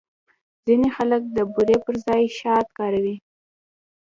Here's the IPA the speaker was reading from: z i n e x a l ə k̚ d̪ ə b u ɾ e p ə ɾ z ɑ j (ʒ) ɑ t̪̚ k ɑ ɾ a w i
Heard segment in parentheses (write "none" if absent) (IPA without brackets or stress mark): ʃ